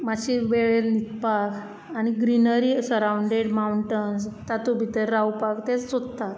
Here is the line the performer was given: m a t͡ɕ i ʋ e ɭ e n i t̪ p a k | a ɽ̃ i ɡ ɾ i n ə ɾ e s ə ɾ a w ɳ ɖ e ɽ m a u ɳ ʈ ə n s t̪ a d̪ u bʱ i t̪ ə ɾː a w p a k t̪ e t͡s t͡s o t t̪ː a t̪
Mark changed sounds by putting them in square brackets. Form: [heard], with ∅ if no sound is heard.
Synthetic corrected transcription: m a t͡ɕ i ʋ e ɭ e n i t̪ p a k | a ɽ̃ i ɡ ɾ i n ə ɾ [i] s ə ɾ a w ɳ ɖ e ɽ m a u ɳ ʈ ə n s t̪ a [t̪] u bʱ i t̪ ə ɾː a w p a k t̪ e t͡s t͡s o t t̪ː a t̪